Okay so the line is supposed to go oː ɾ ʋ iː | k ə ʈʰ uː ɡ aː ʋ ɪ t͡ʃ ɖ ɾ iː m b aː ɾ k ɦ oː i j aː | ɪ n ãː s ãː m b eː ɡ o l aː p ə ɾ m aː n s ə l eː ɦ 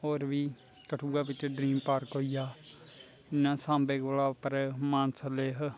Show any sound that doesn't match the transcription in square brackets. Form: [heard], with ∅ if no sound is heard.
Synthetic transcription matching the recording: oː ɾ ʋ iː | k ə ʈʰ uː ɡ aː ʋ ɪ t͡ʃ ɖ ɾ iː m [p] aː ɾ k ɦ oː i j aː | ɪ n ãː s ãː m b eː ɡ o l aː p ə ɾ m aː n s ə l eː ɦ